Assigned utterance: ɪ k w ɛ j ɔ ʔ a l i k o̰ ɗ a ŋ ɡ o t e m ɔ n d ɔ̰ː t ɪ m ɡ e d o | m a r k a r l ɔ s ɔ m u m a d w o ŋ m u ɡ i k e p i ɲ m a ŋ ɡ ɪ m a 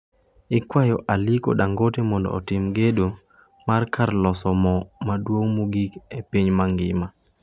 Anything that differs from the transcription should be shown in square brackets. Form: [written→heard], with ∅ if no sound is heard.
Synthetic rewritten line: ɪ k w [ɛ→a] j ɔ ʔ a l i k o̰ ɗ a ŋ ɡ o t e m ɔ n d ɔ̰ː t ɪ m ɡ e d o | m a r k a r l ɔ s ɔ m [u→ɔ] m a d w o ŋ m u ɡ i k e p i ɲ m a ŋ ɡ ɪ m a